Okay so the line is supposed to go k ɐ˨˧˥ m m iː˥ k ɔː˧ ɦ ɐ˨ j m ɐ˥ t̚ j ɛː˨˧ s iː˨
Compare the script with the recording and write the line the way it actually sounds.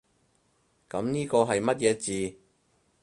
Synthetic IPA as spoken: k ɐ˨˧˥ m n iː˥ k ɔː˧ ɦ ɐ˨ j m ɐ˥ t̚ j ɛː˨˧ t͡s iː˨